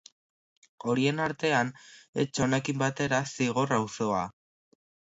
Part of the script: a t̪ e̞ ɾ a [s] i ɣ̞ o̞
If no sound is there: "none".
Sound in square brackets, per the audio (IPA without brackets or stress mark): s